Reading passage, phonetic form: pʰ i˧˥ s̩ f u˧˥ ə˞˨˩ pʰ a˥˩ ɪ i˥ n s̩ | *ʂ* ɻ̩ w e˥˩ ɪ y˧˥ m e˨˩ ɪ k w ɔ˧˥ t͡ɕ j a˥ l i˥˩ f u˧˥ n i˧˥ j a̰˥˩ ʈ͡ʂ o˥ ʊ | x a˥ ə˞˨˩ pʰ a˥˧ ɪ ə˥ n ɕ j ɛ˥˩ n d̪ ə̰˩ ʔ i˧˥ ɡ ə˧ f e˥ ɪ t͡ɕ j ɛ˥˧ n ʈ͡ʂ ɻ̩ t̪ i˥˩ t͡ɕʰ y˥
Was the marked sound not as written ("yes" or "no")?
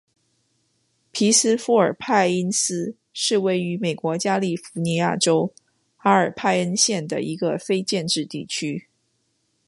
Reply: no